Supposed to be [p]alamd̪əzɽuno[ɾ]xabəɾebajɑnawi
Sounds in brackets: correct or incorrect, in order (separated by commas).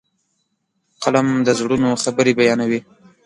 incorrect, incorrect